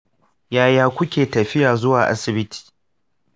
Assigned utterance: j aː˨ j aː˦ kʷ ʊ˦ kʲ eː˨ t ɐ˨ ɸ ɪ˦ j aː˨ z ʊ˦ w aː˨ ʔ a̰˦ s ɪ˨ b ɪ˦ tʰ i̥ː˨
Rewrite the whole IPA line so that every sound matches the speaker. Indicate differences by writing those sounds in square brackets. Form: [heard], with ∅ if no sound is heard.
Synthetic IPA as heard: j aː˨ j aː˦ kʷ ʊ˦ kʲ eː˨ t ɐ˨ ɸ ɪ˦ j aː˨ z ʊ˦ w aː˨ ʔ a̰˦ s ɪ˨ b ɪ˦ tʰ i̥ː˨